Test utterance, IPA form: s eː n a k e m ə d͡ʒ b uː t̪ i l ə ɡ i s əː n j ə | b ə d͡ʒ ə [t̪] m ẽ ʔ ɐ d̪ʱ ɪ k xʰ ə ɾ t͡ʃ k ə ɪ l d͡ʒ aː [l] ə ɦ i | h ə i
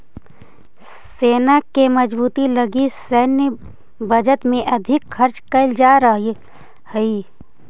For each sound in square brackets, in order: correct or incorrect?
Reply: correct, incorrect: ɾ

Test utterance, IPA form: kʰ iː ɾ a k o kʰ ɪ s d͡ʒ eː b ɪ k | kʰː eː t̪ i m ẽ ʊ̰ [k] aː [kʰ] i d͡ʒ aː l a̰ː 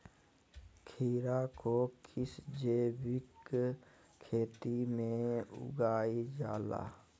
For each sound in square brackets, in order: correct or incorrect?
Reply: incorrect: ɡ, incorrect: none

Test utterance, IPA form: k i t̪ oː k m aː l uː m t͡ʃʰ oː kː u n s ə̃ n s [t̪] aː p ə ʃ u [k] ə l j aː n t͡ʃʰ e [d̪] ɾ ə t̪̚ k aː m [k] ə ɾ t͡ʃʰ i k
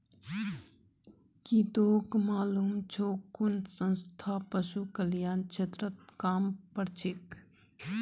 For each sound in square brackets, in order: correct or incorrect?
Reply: incorrect: t̪ʰ, correct, incorrect: t̪, incorrect: p

